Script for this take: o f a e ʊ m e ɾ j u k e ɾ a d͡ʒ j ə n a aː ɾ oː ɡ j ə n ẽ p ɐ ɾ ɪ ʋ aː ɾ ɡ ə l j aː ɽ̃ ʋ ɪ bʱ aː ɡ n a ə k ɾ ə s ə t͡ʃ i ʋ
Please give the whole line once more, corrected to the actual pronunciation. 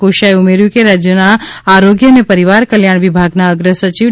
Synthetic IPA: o ʃ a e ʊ m e ɾ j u k e ɾ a d͡ʒ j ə n a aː ɾ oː ɡ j ə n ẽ p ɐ ɾ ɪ ʋ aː ɾ k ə l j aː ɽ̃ ʋ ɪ bʱ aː ɡ n a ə ɡ ɾ ə s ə t͡ʃ i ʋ